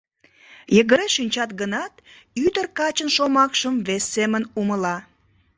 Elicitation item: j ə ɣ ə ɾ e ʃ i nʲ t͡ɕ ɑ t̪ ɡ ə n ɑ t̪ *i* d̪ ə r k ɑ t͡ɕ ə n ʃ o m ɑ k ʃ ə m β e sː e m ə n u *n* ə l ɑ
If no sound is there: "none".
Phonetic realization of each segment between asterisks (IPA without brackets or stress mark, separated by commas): y, m